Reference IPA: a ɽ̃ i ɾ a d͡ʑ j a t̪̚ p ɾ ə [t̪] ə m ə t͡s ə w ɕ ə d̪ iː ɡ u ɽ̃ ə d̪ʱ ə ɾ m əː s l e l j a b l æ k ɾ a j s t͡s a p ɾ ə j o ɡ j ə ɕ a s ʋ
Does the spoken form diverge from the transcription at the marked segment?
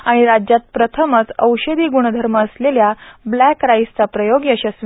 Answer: yes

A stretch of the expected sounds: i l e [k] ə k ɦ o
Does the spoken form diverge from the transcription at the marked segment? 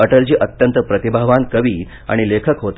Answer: yes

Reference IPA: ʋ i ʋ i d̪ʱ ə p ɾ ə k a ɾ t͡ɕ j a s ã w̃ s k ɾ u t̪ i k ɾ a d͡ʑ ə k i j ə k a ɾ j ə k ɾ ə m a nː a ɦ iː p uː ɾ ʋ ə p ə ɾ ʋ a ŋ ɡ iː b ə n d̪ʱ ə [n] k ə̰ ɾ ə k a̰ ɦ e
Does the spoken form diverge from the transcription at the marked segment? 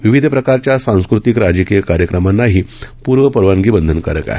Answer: no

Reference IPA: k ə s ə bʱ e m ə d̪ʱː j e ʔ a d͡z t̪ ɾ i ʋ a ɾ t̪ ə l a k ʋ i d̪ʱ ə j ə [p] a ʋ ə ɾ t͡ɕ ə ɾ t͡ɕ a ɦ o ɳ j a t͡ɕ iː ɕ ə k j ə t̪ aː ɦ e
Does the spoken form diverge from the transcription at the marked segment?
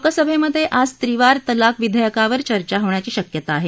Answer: yes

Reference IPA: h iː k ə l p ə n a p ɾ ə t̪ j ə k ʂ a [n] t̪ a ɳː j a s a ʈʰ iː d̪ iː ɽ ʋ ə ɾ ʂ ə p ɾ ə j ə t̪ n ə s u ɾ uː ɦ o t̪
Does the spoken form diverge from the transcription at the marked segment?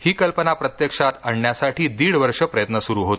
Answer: yes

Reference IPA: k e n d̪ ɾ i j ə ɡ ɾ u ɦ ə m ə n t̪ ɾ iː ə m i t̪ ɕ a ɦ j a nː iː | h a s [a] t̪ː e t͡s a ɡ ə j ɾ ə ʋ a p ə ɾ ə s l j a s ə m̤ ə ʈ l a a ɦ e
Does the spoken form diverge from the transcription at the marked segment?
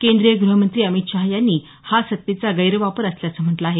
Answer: yes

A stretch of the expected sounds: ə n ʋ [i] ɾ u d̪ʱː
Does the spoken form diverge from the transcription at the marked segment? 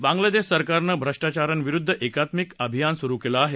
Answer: no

